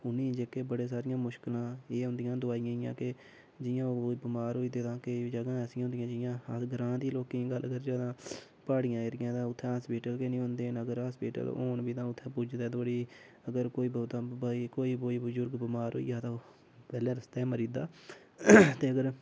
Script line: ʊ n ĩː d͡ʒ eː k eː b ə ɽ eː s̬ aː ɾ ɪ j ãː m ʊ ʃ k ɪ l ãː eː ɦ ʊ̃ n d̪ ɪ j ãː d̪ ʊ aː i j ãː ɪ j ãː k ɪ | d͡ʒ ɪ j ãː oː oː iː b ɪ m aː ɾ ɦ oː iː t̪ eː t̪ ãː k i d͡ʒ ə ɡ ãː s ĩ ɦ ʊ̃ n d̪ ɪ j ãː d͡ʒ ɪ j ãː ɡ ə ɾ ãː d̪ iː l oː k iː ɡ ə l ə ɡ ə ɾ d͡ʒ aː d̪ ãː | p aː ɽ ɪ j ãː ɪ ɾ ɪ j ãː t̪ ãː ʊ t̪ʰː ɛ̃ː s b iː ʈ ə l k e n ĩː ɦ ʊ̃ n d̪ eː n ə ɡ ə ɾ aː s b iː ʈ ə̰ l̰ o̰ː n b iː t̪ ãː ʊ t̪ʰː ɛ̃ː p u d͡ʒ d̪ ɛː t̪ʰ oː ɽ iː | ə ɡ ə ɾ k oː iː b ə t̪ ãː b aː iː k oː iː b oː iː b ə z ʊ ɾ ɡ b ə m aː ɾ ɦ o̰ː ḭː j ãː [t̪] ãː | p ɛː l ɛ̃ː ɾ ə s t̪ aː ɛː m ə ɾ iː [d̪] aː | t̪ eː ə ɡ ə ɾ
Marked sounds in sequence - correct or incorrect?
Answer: correct, correct

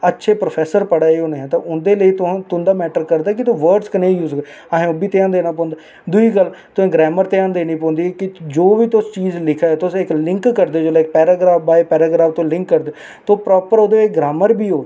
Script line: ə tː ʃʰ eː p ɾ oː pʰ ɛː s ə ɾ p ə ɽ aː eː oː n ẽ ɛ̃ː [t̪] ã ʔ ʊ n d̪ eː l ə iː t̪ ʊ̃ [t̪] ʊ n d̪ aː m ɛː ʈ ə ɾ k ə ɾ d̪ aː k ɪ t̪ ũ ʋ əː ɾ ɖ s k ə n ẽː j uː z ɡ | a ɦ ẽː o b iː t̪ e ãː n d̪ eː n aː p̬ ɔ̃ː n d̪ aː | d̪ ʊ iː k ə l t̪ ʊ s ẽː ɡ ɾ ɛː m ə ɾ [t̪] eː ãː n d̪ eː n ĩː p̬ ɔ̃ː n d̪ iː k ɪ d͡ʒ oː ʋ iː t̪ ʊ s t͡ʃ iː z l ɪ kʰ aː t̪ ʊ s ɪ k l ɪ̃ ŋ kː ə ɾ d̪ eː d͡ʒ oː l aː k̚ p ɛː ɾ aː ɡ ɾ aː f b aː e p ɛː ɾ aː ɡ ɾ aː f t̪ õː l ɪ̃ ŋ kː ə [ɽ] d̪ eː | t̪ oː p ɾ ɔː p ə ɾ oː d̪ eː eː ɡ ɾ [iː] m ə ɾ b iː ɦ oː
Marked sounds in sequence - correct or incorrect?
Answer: correct, correct, correct, incorrect: ɾ, incorrect: aː

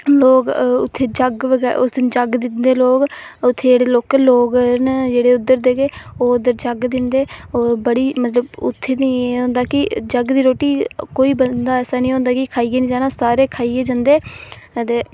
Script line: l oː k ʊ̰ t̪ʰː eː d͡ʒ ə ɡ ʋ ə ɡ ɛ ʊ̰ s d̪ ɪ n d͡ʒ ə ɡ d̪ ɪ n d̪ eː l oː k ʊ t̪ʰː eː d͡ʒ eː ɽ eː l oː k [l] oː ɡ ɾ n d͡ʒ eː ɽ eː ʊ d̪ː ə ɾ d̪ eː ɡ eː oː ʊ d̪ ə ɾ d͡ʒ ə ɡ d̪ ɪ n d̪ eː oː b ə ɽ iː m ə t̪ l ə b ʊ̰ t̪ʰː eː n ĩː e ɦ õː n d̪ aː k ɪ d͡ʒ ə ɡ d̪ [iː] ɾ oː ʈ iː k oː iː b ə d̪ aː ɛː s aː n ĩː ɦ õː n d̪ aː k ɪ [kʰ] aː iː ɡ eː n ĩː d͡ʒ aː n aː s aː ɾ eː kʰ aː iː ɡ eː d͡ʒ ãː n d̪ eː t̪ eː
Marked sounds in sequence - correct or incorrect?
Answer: correct, correct, correct

